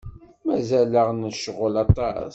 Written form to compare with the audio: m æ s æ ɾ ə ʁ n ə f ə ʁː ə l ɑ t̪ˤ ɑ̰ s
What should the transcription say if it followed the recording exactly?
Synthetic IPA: m æ z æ l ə ʁ n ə ʃ ə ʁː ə l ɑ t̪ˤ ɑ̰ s

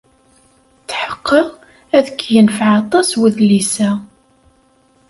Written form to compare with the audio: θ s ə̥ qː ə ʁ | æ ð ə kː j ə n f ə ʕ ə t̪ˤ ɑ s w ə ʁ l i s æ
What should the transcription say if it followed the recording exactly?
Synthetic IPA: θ ħ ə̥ qː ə ʁ | æ ð ə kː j ə n f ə ʕ ɑ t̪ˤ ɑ s w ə ð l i s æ

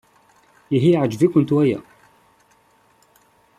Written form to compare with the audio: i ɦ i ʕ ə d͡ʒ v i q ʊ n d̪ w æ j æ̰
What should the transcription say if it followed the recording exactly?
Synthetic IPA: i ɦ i ʕ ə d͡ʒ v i k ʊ n t̪ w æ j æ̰

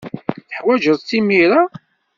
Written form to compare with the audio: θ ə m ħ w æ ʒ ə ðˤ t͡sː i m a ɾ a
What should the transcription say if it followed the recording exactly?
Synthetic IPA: θ ə ħ w æ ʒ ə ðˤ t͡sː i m i ɾ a

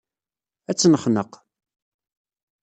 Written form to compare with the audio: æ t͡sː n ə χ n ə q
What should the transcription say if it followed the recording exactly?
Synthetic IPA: æ t͡sː n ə χ n ə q

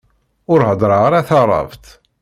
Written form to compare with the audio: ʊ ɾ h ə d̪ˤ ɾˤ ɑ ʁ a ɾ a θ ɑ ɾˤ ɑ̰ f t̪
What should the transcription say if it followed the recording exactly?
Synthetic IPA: ʊ ɾ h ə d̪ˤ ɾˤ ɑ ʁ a ɾ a θ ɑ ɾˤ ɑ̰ v t̪

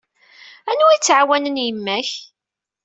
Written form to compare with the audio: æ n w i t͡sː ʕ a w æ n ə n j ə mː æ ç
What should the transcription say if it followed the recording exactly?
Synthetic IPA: æ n u i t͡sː ʕ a w æ n ə n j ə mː æ ç

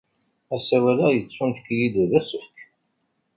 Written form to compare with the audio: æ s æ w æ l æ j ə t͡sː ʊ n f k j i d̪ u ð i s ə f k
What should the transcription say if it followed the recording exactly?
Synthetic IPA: æ s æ w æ l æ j ə t͡sː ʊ n f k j i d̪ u ð æ s ə f k

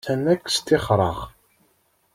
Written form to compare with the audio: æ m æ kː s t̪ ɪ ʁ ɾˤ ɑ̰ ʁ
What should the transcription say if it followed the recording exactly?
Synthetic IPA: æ n æ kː s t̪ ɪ χ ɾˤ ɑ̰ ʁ

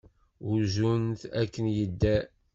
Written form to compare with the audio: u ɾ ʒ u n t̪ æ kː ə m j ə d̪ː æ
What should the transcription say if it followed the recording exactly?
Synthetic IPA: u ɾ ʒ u n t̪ æ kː ə n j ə d̪ː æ

